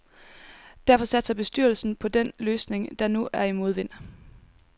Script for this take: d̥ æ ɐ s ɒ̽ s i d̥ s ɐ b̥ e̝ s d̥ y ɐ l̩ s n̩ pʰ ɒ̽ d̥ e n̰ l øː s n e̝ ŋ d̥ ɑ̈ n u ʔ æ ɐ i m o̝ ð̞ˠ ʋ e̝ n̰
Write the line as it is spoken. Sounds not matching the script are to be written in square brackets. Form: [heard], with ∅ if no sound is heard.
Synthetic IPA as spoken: d̥ æ ɐ [f] ɒ̽ s [æ] d̥ s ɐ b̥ e̝ s d̥ y ɐ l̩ s n̩ pʰ ɒ̽ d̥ e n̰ l øː s n e̝ ŋ d̥ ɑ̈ n u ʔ æ ɐ i m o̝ ð̞ˠ ʋ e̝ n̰